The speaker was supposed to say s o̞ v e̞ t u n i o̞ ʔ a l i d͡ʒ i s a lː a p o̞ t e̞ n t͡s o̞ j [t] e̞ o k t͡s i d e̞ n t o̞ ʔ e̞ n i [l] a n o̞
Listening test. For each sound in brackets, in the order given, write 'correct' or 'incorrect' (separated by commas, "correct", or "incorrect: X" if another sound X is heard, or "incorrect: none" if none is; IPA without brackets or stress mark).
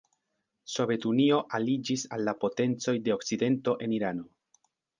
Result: incorrect: d, incorrect: ɾ